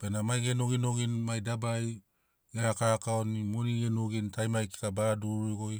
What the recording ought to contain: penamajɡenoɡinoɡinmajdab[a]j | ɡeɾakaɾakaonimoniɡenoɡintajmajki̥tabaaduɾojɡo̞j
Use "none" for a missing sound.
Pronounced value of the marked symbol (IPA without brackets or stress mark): a